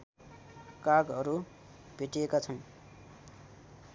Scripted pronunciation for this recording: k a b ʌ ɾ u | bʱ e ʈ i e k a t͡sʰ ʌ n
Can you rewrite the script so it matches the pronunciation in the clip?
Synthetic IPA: k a ɡ ʌ ɾ u | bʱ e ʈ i e k a t͡sʰ ʌ n